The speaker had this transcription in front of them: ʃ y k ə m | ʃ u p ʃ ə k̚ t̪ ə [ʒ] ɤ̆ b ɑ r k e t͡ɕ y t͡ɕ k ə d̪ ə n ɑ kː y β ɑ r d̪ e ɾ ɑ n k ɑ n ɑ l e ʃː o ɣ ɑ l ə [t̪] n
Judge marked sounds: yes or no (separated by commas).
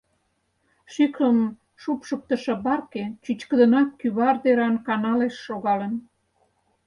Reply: no, no